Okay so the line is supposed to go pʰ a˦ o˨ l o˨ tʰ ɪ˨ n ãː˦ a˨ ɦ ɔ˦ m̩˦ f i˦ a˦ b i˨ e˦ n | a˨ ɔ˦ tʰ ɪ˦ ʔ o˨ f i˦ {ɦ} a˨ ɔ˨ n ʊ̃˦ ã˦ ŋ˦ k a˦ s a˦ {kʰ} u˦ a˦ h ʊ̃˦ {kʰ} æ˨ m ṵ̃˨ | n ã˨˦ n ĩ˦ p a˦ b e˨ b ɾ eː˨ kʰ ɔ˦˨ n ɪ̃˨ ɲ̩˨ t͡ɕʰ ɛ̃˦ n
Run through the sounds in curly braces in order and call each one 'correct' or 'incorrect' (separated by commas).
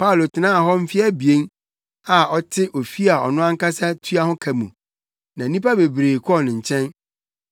incorrect, incorrect, correct